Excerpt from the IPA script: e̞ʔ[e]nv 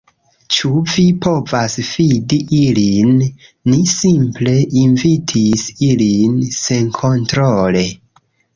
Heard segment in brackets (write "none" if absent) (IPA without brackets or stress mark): i